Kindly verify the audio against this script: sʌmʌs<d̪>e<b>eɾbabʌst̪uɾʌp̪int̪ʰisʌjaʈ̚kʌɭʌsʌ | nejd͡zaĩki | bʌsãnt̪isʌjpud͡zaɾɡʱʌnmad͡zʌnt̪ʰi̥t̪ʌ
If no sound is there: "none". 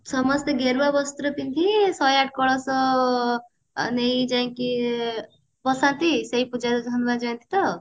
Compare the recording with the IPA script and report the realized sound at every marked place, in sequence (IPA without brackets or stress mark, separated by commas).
t̪, ɡ